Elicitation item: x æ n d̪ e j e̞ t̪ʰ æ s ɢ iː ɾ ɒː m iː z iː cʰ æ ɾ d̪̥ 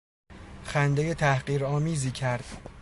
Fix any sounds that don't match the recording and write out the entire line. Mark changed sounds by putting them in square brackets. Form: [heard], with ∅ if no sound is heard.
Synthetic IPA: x æ n d̪ e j e̞ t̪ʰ æ [h] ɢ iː ɾ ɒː m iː z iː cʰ æ ɾ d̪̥